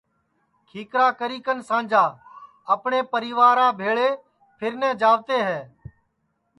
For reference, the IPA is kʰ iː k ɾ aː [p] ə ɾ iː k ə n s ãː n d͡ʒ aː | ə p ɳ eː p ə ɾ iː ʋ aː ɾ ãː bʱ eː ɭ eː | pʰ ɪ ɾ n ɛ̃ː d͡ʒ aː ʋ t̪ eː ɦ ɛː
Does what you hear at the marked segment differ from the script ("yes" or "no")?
yes